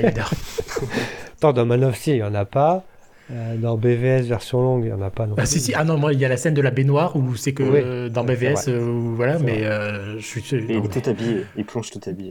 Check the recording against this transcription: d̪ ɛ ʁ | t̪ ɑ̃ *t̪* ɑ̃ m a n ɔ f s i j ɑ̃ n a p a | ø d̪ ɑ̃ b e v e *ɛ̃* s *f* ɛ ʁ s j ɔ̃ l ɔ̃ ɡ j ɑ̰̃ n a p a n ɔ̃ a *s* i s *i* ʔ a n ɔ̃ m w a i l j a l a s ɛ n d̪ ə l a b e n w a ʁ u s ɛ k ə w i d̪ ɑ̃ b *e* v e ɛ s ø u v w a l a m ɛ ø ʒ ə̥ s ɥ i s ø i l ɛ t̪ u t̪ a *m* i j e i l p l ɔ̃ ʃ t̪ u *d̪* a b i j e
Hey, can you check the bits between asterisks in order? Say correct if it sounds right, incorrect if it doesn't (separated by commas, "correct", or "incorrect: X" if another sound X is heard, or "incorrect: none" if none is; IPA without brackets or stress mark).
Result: incorrect: d̪, incorrect: ɛ, incorrect: v, correct, correct, correct, incorrect: b, incorrect: t̪